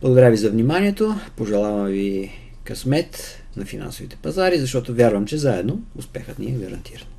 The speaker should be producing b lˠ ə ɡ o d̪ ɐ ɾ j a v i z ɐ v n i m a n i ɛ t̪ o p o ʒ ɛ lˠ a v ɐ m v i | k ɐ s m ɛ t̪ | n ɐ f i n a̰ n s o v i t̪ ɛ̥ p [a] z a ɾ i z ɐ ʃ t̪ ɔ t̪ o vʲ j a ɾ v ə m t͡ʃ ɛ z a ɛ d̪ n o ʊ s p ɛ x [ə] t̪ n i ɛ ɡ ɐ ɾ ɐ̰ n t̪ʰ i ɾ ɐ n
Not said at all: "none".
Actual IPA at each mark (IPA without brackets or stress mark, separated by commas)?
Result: ɐ, ə